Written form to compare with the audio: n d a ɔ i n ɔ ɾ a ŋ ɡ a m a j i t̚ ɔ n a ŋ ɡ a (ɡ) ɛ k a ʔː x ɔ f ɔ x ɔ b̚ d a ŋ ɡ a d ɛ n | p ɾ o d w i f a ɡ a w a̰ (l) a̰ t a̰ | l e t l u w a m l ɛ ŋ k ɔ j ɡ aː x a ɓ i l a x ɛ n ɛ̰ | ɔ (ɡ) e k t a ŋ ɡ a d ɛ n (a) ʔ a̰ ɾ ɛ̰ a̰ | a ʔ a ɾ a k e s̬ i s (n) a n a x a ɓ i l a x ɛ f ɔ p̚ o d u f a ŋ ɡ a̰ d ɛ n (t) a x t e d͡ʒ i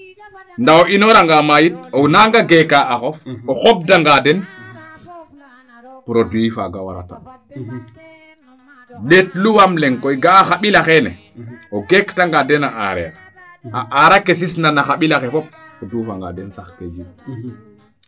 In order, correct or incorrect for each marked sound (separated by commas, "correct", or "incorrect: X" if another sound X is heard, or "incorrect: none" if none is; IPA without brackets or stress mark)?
correct, incorrect: ɾ, correct, correct, correct, incorrect: s